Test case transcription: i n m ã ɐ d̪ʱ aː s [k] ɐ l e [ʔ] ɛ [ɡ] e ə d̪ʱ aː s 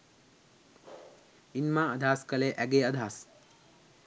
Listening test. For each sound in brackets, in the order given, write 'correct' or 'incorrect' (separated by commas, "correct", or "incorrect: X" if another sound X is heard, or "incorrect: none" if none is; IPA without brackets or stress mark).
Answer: correct, correct, correct